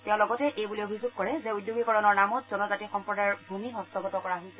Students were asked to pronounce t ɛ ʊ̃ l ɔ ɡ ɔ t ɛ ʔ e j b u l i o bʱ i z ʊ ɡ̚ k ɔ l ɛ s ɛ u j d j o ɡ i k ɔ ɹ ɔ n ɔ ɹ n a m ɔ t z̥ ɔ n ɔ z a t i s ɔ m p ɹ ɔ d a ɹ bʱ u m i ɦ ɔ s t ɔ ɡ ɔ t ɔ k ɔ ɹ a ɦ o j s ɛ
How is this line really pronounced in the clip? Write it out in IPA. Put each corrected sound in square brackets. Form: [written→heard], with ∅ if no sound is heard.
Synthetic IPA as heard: t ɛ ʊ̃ l ɔ ɡ ɔ t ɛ ʔ e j b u l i o bʱ i z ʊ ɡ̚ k ɔ [l→ɹ] ɛ [s→z] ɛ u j d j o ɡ i k ɔ ɹ ɔ n ɔ ɹ n a m ɔ t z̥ ɔ n ɔ z a t i [s→x] ɔ m p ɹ ɔ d a ɹ bʱ u m i ɦ ɔ s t ɔ ɡ ɔ t ɔ k ɔ ɹ a ɦ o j s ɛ